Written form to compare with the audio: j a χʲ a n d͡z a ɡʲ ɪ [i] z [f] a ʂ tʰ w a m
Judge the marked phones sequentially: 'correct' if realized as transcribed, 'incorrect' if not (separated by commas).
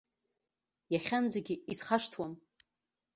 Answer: correct, incorrect